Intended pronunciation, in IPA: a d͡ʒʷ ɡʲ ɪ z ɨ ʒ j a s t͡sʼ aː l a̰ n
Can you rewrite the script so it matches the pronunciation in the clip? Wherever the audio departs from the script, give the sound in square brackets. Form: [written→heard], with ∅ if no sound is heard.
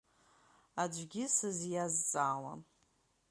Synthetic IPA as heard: a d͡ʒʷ ɡʲ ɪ [z→s] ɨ [ʒ→z] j a [s→z] t͡sʼ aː l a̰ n